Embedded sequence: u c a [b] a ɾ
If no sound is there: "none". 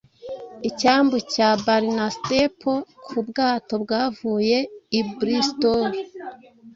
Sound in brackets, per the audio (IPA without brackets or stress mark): b